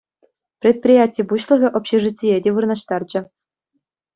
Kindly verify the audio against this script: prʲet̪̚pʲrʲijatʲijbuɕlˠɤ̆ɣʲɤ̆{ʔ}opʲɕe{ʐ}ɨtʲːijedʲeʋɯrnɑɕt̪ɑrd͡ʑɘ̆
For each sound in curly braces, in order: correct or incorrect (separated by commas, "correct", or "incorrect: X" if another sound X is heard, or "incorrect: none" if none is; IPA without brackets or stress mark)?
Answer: correct, correct